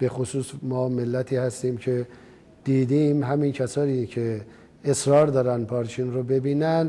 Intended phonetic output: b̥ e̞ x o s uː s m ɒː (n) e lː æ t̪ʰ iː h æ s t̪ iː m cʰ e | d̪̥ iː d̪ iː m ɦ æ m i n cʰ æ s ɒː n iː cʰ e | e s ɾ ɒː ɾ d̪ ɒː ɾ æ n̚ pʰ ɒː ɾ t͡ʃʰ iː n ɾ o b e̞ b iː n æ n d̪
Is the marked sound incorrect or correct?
incorrect